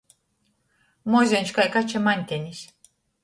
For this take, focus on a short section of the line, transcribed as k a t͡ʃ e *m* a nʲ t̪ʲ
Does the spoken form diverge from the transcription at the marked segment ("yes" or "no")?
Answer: no